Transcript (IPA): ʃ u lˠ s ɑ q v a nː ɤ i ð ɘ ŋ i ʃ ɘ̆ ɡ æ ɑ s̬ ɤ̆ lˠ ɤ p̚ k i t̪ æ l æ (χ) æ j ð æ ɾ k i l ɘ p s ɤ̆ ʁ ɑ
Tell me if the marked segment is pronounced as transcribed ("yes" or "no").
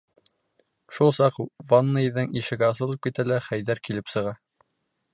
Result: yes